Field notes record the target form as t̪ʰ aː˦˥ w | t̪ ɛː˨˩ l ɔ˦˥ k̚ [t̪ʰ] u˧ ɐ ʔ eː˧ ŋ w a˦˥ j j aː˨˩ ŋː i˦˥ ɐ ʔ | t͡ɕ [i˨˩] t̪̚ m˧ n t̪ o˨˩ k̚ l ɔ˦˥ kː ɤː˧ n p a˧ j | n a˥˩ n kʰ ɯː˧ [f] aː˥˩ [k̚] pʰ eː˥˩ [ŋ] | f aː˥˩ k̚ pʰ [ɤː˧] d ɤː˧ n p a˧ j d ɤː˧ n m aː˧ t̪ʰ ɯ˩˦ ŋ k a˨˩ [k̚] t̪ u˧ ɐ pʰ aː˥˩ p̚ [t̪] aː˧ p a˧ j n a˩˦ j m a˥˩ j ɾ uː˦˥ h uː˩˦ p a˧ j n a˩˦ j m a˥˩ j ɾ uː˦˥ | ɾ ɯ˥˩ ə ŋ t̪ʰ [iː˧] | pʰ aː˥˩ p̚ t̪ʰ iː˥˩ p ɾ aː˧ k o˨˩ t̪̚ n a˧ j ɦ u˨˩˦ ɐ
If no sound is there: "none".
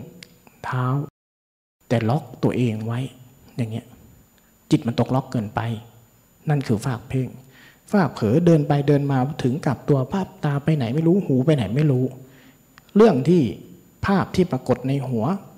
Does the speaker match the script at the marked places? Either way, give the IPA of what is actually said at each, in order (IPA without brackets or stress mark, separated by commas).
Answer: t̪, i˨˩, f, k̚, ŋ, ɤː˩˦, p̚, t̪, iː˥˩